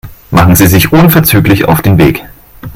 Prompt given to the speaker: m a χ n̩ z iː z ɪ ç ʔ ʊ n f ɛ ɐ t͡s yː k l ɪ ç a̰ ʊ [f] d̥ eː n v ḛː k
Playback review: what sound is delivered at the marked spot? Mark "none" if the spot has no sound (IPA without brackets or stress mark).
f